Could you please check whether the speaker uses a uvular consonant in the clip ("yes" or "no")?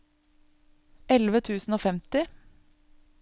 no